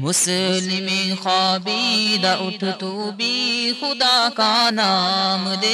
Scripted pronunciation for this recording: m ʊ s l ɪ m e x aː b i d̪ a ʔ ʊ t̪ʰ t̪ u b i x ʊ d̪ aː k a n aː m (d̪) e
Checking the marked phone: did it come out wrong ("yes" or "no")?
no